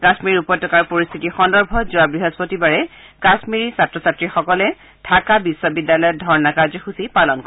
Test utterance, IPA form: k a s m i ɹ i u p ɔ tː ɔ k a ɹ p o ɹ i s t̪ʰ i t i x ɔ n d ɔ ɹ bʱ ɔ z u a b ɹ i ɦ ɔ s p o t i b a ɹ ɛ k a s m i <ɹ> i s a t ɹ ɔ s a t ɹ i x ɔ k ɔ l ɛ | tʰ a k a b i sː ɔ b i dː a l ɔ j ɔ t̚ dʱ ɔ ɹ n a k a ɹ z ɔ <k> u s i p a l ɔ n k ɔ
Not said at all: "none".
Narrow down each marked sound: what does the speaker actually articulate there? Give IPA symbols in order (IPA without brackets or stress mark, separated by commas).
ɹ, x